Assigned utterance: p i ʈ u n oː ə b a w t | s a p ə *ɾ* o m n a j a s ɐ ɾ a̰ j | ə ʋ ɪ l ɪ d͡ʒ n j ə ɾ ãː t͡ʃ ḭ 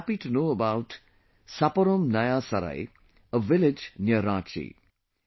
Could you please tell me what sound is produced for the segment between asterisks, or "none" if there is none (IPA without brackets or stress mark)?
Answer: ɾ